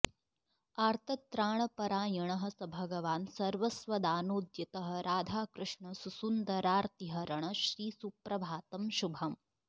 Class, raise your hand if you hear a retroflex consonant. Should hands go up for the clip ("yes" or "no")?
yes